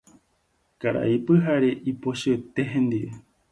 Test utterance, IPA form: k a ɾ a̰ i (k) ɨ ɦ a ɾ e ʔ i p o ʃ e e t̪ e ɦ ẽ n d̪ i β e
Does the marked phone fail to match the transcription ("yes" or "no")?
yes